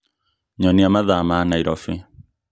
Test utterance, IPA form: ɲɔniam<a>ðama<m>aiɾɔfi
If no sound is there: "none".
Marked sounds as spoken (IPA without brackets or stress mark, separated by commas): a, n